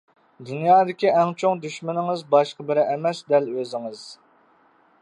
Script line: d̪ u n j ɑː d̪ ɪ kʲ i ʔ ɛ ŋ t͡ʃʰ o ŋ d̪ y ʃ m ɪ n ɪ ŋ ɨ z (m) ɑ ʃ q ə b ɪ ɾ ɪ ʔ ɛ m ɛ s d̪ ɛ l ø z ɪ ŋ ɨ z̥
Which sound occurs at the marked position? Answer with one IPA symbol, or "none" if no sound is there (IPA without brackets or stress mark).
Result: b